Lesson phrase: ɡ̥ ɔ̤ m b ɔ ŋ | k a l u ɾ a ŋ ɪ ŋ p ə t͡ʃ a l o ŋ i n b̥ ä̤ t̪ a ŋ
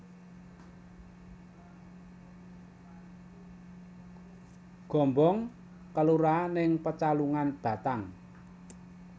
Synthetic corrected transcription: ɡ̥ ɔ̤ m b ɔ ŋ | k ə l u ɾ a n ɪ ŋ p ə t͡ʃ a l u ŋ a n b̥ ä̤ t̪ a ŋ